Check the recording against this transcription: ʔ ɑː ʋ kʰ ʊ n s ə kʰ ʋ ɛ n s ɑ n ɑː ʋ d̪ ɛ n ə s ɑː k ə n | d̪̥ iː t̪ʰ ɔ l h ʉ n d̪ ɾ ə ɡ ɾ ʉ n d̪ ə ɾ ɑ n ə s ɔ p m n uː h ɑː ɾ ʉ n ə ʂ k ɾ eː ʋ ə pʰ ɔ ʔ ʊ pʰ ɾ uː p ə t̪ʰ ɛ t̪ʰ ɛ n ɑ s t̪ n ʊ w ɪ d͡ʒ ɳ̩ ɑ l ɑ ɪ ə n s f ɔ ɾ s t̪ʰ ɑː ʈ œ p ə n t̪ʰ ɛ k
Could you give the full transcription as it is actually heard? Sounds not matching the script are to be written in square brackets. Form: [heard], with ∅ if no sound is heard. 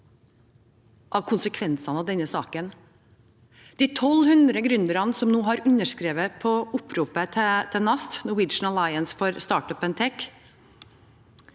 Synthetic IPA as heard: ʔ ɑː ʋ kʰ ʊ n s ə kʰ ʋ ɛ n s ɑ n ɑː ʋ d̪ ɛ n ə s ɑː k ə n | d̪̥ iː t̪ʰ ɔ l h ʉ n d̪ ɾ ə ɡ ɾ ʉ n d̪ ə ɾ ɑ n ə s ɔ [∅] m n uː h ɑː ɾ ʉ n ə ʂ k ɾ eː ʋ ə pʰ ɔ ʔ ʊ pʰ ɾ uː p ə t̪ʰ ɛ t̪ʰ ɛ n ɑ s t̪ n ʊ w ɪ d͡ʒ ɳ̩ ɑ l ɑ ɪ ə n s f ɔ ɾ s [t̪] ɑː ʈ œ p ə n t̪ʰ ɛ k